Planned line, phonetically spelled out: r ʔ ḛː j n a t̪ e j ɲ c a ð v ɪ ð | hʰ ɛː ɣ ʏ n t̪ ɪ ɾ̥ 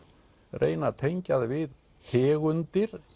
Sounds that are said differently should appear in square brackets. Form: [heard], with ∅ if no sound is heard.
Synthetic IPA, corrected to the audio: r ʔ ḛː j n a [t̪ʰ] e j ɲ c a ð v ɪ ð | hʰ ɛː ɣ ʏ n t̪ ɪ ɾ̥

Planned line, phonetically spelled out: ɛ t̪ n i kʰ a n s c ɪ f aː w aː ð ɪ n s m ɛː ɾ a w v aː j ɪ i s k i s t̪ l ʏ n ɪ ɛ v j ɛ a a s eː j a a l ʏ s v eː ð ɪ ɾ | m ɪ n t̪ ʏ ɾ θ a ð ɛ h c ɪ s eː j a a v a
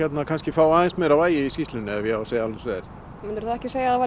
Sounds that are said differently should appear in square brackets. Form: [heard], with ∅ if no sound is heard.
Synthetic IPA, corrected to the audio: ɛ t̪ n [a] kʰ a n s c ɪ f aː w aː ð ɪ n s m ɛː ɾ a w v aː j ɪ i s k i s t̪ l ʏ n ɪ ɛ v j ɛ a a s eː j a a l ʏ s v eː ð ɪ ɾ | m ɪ n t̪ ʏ ɾ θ a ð ɛ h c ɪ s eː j a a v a

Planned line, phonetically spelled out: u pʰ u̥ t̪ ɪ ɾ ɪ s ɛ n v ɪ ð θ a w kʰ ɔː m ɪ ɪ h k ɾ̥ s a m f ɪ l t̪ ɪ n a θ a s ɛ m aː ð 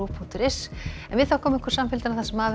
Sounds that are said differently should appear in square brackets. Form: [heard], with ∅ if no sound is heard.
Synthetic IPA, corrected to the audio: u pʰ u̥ t̪ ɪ ɾ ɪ s ɛ n v ɪ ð θ a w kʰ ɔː m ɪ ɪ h k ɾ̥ s a m f ɪ l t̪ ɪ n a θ a s ɛ m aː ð

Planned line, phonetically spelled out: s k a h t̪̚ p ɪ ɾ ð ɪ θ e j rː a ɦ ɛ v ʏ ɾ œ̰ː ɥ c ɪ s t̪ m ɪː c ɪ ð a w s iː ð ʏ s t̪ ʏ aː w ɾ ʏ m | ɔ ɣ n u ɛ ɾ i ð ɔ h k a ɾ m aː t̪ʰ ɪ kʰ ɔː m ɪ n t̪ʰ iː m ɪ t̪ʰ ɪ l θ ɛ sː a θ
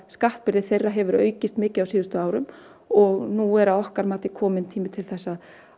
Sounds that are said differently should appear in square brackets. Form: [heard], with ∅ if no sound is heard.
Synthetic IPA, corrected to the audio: s k a h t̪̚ p ɪ ɾ ð ɪ θ e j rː a ɦ ɛ v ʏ ɾ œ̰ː ɥ c ɪ s t̪ m ɪː c ɪ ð a w s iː ð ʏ s t̪ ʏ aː w ɾ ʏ m | ɔ ɣ n u ɛ ɾ [a] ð ɔ h k a ɾ m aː [t̪] ɪ kʰ ɔː m ɪ n t̪ʰ iː m ɪ t̪ʰ ɪ l θ ɛ sː a [ð]

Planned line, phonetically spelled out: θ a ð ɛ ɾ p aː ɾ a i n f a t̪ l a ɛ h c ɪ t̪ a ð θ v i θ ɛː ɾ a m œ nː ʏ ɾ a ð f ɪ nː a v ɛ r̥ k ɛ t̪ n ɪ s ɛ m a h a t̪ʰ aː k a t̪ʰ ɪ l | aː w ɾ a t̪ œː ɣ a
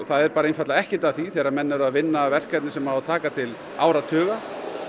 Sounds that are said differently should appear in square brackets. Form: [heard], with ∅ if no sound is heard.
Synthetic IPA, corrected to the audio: θ a ð ɛ ɾ p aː ɾ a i n f a t̪ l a ɛ h c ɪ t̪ a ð θ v i θ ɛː ɾ a m [ɛ] nː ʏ ɾ a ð [v] ɪ nː a v ɛ r̥ k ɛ t̪ n ɪ s ɛ m a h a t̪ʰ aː k a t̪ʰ ɪ l | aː w ɾ a [t̪ʰ] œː ɣ a

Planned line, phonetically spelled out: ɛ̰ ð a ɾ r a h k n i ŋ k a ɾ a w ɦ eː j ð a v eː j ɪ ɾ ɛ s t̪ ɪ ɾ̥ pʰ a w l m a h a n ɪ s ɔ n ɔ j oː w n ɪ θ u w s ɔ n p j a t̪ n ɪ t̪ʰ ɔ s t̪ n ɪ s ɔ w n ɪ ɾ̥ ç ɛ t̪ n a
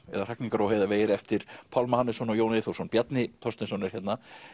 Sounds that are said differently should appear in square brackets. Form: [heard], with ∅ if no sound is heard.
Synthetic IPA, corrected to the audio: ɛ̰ ð a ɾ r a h k n i ŋ k a ɾ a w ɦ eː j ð a v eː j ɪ ɾ ɛ [f] t̪ ɪ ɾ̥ pʰ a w l m a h a n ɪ s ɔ n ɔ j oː w n ɪ θ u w s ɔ n p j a t̪ n ɪ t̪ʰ ɔ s t̪ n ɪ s ɔ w n ɪ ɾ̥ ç ɛ t̪ n a

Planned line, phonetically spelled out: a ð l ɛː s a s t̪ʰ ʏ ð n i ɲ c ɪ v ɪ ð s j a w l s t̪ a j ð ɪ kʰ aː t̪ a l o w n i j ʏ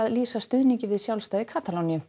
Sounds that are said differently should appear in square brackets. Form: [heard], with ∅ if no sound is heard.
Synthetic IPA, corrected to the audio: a ð l [iː] s a s [t̪] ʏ ð n i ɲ c ɪ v ɪ ð s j a w l s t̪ a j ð ɪ kʰ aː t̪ a l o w n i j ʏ

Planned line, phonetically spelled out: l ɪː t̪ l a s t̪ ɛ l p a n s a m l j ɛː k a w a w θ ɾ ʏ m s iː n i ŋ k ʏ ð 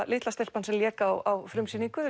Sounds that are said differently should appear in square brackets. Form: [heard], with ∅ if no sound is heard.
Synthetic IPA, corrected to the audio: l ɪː t̪ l a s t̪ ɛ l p a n s [ɛ] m l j ɛː k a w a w [f] ɾ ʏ m s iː n i ŋ k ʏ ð

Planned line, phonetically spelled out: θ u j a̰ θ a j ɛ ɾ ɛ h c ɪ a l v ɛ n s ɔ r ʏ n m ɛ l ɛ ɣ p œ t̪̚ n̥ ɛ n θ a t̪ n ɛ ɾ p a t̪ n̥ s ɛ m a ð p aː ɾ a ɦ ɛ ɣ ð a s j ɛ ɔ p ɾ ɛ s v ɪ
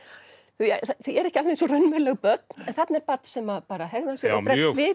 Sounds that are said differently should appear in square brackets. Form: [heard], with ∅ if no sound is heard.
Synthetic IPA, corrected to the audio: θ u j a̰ θ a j ɛ ɾ ɛ h c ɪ a l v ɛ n s ɔ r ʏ n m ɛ l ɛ ɣ p œ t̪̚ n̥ ɛ n θ a t̪ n ɛ ɾ p a t̪ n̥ s ɛ m a ð p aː ɾ a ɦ ɛ ɣ ð a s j ɛ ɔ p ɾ ɛ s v ɪ

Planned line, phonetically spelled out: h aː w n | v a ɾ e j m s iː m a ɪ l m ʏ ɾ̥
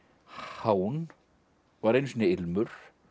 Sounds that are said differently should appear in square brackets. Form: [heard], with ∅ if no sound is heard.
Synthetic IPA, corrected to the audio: h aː w n | v a ɾ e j [n] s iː [n] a ɪ l m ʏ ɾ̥

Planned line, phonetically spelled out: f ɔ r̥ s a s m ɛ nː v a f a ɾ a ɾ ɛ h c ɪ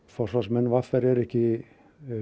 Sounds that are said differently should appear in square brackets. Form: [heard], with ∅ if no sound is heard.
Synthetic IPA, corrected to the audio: f ɔ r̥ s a s m ɛ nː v a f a ɾ [ɛ] ɾ ɛ h c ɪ

